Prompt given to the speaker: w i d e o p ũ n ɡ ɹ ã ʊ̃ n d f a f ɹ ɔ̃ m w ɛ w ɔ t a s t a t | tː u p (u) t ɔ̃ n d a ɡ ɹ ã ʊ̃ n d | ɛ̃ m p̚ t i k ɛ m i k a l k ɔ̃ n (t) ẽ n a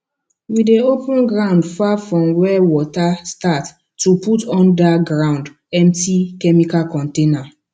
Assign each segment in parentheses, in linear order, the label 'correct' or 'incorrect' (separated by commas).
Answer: correct, correct